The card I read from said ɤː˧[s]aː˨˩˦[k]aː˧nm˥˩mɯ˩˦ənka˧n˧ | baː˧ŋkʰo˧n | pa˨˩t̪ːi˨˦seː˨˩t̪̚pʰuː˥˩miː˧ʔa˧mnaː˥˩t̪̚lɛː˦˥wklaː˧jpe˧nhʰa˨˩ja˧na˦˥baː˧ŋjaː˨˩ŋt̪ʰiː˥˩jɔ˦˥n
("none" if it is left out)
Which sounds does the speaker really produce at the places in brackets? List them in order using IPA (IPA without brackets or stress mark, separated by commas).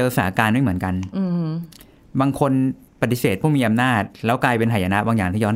s, k